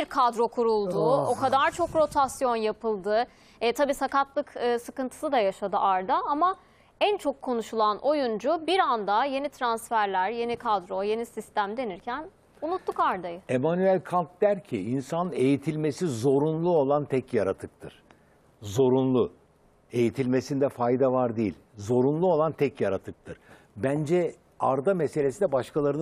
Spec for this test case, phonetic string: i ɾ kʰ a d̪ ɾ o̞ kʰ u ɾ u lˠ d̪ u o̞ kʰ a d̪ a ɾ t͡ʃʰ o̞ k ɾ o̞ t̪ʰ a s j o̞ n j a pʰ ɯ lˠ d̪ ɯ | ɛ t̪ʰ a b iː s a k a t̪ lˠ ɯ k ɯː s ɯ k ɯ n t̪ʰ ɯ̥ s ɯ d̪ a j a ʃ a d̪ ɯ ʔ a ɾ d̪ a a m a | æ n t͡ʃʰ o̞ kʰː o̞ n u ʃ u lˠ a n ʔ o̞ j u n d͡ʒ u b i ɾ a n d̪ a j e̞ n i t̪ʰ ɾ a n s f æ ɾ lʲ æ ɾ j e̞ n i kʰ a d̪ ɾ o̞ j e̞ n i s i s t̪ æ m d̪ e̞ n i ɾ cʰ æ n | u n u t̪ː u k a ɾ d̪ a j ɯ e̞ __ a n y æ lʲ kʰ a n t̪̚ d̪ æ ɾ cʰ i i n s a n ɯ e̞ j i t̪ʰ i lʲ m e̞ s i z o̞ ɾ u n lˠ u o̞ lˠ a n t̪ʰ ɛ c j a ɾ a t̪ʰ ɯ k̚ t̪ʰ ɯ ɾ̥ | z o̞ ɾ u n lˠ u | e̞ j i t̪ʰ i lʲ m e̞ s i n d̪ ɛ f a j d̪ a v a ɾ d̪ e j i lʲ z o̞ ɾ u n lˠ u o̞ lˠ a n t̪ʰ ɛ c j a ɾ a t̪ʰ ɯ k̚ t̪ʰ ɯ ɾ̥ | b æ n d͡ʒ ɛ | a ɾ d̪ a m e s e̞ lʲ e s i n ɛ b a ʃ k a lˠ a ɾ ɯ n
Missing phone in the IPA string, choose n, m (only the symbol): m